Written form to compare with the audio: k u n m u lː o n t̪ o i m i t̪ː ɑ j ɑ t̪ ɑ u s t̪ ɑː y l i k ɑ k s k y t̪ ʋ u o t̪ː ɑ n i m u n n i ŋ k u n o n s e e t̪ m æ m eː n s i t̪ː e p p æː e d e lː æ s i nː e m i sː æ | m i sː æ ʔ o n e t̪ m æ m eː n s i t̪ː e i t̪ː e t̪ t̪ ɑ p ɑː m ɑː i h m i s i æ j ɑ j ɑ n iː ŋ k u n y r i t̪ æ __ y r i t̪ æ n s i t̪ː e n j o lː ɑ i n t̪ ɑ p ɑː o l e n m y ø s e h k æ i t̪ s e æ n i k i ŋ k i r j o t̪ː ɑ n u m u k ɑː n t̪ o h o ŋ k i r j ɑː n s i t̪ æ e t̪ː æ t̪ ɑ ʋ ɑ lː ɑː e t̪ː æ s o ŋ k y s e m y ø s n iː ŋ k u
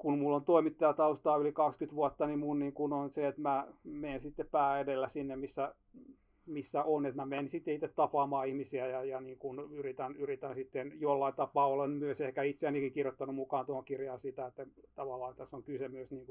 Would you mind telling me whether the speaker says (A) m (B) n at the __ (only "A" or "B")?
B